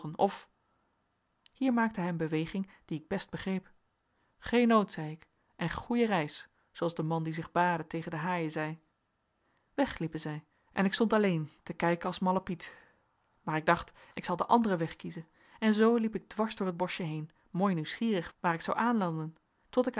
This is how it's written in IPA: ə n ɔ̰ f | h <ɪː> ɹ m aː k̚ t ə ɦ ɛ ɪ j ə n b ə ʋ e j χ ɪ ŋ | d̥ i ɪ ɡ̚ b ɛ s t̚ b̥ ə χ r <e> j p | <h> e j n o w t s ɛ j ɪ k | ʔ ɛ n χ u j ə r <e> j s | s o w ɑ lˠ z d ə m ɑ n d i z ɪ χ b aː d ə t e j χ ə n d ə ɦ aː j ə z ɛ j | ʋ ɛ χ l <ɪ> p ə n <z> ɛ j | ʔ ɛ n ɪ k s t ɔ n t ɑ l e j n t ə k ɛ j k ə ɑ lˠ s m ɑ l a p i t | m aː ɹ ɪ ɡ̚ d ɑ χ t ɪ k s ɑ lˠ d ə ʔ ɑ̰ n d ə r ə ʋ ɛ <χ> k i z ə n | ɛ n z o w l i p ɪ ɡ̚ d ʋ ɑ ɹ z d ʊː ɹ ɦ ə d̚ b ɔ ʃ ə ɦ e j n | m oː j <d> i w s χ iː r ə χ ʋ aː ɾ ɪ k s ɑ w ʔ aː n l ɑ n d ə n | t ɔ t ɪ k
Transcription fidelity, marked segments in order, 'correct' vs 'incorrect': incorrect, correct, incorrect, incorrect, incorrect, correct, correct, incorrect

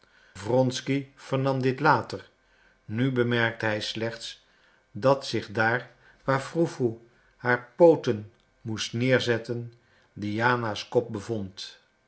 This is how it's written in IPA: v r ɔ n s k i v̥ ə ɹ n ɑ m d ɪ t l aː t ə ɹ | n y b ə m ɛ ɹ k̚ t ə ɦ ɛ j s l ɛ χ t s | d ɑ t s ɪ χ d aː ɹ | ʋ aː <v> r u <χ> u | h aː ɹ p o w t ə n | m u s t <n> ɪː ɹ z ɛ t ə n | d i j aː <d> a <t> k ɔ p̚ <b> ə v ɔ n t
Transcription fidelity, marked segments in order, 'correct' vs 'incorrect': incorrect, incorrect, correct, incorrect, incorrect, correct

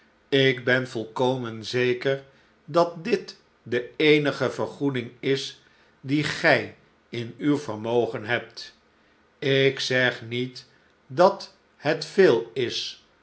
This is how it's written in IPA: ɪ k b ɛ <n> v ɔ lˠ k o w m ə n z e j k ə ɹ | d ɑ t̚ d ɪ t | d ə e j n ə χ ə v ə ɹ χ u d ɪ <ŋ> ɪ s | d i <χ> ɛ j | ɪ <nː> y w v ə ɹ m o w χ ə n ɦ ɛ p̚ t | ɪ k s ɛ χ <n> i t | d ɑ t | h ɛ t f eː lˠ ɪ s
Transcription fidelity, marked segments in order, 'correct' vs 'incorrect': correct, correct, correct, incorrect, correct

